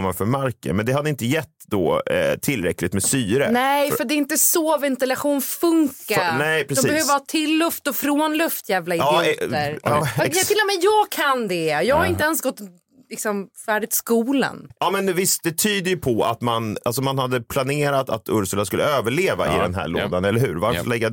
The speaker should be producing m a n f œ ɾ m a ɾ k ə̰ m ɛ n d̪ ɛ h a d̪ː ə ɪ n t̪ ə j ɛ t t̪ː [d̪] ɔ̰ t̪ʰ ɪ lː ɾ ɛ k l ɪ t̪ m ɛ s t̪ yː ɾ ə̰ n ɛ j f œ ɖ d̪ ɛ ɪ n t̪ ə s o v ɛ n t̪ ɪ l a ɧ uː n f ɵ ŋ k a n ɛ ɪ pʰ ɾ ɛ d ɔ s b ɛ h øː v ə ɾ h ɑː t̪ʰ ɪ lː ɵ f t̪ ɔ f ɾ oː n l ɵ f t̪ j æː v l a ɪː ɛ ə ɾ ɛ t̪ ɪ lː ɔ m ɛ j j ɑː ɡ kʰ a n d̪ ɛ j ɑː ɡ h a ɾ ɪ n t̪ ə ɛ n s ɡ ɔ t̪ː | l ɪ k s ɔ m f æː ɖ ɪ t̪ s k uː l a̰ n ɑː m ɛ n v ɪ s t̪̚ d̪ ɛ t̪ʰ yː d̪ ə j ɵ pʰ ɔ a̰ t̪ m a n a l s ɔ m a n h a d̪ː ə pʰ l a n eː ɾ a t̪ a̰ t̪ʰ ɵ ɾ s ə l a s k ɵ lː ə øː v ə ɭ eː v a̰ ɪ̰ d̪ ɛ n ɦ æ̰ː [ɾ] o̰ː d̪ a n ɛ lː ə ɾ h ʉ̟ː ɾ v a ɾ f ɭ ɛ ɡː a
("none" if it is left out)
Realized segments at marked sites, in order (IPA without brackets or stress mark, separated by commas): d̪, ɭ